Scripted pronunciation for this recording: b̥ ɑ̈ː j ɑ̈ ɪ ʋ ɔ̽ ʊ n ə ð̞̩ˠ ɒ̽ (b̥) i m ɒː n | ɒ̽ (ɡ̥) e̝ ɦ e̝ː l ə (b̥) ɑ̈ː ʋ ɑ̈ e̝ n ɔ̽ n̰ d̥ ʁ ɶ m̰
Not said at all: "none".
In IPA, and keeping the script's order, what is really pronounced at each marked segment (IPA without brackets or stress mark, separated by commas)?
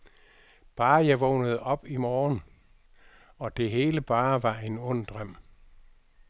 b̥, d̥, b̥